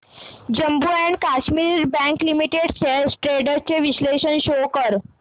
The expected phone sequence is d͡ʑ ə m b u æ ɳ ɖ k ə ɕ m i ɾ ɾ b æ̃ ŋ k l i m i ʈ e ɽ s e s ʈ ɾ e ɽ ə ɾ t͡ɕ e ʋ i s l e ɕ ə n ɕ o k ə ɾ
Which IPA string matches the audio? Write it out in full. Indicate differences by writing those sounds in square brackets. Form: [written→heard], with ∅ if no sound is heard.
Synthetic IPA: d͡ʑ ə m b u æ ɳ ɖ k [ə→a] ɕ m i ɾ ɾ b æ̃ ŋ k l i m i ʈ e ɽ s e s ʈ ɾ e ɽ ə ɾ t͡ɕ e ʋ i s l e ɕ ə n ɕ o k ə ɾ